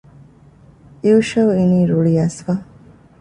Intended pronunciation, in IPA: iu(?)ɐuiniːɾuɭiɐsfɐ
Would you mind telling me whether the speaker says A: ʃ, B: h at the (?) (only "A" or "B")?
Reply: A